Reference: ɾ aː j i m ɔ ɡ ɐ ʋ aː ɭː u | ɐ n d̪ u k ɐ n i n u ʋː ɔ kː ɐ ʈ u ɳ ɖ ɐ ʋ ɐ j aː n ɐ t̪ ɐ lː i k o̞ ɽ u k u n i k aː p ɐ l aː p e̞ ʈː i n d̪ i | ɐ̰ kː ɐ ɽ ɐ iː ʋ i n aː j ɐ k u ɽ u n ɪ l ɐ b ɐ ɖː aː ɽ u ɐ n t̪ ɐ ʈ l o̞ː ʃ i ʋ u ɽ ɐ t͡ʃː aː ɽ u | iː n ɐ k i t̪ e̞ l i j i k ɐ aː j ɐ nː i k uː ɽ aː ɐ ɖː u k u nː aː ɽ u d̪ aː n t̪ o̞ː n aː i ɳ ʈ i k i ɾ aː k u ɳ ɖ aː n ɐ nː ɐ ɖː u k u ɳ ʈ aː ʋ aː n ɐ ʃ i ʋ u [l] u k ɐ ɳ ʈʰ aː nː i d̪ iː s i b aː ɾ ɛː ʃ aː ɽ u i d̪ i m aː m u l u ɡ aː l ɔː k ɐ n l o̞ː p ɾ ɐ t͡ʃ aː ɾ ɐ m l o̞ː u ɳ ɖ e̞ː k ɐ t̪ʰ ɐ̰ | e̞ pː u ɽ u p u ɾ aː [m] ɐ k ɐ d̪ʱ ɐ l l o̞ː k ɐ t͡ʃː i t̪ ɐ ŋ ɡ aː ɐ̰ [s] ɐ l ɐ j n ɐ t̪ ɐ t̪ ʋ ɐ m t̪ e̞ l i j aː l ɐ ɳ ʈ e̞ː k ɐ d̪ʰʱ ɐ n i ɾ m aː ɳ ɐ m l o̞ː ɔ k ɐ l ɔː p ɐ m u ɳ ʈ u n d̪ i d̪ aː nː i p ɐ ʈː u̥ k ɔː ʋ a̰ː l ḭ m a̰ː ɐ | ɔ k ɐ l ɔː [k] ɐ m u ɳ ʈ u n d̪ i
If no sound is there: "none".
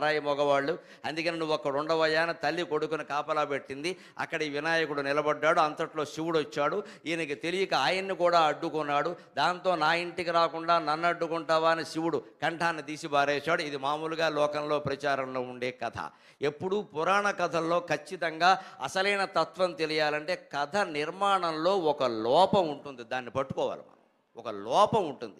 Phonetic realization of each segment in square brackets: ɽ, ɳ, s, p

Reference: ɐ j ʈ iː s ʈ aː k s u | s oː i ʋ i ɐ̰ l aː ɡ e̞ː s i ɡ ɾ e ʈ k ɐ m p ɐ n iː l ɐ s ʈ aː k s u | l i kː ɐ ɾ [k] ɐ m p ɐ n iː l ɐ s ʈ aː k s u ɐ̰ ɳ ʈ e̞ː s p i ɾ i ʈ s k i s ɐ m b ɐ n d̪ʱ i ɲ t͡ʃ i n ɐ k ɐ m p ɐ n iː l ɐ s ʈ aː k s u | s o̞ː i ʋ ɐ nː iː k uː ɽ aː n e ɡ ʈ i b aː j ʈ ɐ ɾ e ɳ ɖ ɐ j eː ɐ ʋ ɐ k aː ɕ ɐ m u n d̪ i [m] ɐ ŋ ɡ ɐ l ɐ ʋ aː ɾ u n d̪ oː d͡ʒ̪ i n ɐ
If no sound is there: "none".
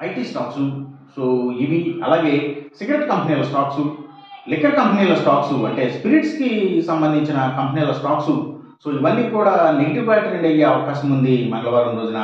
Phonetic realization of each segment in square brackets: k, m

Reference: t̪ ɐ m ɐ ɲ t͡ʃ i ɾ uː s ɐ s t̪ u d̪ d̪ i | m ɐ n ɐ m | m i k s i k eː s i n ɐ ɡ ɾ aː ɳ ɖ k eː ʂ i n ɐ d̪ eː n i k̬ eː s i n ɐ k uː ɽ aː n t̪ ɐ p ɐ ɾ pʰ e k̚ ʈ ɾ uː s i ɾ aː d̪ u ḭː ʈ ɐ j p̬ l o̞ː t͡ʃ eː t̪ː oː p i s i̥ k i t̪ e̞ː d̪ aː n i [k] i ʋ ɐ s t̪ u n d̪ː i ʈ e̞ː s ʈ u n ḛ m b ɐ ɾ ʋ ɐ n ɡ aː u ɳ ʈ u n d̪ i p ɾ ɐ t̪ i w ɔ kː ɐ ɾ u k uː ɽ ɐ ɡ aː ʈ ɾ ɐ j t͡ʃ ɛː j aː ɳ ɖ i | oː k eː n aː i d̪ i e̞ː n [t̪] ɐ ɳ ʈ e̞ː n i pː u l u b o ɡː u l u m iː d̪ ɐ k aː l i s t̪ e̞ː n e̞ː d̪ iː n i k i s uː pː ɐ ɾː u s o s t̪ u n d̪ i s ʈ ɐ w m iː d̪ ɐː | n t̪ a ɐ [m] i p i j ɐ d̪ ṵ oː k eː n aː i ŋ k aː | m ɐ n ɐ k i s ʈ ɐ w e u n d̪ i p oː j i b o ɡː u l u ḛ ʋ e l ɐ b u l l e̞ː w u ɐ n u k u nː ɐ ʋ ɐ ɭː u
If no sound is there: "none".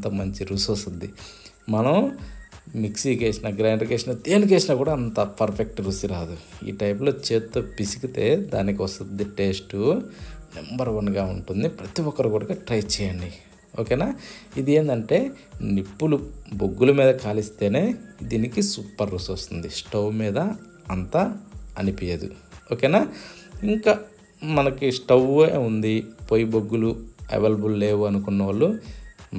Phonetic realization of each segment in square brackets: k, d̪, n

